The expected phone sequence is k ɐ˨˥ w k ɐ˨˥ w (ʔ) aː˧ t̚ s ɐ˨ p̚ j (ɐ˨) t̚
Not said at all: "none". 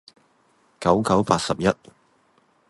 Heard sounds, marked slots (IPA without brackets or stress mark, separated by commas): p, ɐ˥